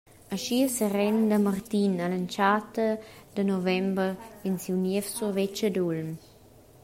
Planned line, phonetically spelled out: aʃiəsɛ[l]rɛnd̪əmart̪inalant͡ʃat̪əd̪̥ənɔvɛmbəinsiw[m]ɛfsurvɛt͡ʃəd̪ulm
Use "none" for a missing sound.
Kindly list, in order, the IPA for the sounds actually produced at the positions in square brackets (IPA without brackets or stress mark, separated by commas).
none, n